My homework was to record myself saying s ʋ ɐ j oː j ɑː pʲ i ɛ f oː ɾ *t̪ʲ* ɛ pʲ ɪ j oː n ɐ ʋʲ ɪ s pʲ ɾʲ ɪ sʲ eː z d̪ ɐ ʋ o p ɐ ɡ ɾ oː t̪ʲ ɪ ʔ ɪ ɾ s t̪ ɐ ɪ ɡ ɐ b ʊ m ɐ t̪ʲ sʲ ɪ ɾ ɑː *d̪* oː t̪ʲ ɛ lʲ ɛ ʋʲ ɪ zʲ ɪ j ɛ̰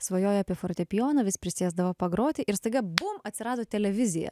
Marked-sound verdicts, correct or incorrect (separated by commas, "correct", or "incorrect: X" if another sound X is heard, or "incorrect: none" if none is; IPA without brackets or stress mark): correct, correct